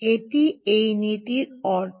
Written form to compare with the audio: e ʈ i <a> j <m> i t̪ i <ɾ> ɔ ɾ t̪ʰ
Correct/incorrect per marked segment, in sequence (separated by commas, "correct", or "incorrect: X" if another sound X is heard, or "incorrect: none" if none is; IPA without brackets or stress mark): incorrect: e, incorrect: n, correct